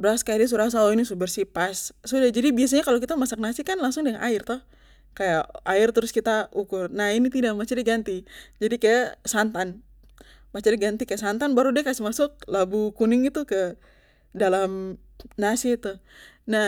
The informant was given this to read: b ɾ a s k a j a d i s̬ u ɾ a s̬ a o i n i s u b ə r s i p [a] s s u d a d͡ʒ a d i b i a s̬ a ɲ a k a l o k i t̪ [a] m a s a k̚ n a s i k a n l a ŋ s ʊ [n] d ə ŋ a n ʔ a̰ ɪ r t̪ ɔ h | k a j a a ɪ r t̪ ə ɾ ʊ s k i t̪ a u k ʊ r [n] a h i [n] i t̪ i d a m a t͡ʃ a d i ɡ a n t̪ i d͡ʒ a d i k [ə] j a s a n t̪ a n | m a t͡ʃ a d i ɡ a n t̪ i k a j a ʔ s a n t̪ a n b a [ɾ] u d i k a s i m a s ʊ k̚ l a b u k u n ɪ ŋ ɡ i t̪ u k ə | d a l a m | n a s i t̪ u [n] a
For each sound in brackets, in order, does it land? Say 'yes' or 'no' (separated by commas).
yes, yes, no, yes, yes, no, yes, yes